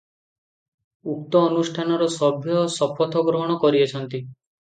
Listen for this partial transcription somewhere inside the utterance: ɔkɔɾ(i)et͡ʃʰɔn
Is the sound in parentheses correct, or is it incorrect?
correct